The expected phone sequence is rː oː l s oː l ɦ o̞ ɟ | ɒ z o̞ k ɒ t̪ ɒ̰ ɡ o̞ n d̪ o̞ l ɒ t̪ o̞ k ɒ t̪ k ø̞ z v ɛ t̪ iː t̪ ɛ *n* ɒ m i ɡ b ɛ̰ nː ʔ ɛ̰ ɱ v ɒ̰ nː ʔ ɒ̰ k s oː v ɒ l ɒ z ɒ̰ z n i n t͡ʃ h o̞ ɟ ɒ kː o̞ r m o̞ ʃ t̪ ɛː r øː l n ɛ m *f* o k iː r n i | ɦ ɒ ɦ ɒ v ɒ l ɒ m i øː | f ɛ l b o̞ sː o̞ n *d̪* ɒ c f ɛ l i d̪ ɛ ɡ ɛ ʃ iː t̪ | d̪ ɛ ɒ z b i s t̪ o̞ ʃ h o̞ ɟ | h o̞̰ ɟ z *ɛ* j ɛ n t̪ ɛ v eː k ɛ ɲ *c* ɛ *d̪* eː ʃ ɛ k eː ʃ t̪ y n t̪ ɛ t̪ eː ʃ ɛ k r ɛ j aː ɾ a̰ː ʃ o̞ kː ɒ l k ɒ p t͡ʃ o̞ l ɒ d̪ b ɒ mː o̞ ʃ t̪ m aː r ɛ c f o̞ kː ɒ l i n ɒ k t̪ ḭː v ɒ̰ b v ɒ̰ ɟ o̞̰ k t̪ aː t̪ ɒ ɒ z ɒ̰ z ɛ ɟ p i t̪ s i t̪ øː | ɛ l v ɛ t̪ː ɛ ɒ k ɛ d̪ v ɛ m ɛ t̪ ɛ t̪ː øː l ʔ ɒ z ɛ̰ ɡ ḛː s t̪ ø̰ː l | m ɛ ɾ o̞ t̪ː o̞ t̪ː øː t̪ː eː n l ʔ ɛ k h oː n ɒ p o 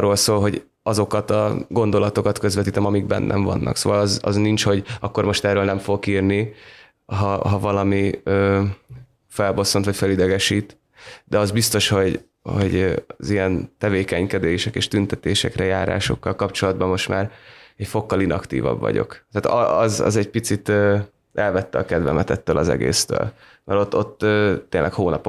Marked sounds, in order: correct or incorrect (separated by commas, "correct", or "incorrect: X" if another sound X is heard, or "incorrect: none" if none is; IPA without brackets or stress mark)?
incorrect: m, correct, incorrect: t̪, incorrect: i, incorrect: k, correct